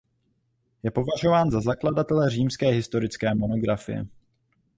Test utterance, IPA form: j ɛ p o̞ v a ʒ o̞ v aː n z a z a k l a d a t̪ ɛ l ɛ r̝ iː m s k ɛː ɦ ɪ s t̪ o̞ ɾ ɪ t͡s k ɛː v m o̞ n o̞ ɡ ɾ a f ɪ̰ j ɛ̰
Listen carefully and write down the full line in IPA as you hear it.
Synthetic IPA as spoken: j ɛ p o̞ v a ʒ o̞ v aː n z a z a k l a d a t̪ ɛ l ɛ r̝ iː m s k ɛː ɦ ɪ s t̪ o̞ ɾ ɪ t͡s k ɛː m o̞ n o̞ ɡ ɾ a f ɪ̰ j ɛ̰